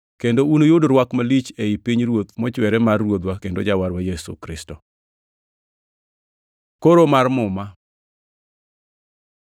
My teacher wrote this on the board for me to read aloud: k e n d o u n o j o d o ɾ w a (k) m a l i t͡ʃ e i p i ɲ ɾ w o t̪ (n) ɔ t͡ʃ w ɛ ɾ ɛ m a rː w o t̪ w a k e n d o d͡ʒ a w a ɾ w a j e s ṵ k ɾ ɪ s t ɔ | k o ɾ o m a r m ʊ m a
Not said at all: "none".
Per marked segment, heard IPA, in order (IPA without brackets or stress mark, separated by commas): k, m